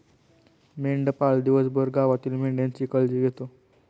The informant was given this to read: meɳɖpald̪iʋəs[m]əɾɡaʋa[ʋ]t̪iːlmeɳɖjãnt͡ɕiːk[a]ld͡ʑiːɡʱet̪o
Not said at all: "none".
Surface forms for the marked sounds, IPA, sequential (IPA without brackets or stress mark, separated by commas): b, none, ə